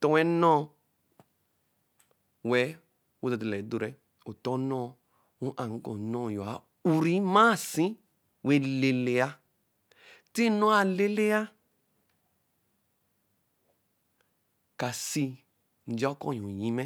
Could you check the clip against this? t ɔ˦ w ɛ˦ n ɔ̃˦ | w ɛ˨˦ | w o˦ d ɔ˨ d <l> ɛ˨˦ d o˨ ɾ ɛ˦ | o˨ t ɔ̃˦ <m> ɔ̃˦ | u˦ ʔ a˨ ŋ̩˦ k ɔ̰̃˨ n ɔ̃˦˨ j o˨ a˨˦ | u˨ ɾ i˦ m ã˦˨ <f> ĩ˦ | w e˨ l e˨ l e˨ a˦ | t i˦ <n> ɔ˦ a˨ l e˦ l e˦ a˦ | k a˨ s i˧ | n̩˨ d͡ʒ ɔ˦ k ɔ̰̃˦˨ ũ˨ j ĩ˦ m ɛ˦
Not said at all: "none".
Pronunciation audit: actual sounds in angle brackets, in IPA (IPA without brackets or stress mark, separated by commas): l, n, s, n